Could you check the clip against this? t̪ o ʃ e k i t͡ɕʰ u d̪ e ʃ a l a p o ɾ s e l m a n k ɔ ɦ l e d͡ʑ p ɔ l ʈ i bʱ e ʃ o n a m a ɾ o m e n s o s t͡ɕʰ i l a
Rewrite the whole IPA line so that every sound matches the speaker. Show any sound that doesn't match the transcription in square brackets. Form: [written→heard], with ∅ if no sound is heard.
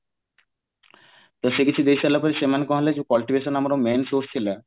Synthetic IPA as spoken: t̪ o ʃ e k i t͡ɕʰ u d̪ e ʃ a l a p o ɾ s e [l→∅] m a n k ɔ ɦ l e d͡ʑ [p→k] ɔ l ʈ i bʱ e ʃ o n a m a ɾ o m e n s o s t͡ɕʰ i l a

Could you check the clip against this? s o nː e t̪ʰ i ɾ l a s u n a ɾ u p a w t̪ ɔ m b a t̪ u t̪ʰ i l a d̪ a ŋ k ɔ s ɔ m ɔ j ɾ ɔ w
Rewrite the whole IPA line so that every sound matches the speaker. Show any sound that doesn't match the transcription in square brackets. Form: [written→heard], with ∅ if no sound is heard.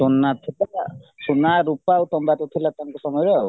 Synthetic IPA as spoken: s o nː [e→a] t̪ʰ i [ɾ→∅] l a s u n a ɾ u p a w t̪ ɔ m b a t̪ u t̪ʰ i l a [d̪→t̪] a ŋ k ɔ s ɔ m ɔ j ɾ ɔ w

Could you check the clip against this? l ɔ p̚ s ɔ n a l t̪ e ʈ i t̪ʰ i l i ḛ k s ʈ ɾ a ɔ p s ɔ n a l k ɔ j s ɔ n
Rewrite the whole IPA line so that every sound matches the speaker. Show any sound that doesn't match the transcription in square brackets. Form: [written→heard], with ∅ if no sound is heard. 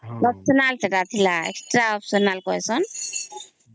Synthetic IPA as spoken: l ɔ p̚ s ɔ n a l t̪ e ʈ [i→a] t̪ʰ i l [i→a] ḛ k s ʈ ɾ a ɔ p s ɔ n a l k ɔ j s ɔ n

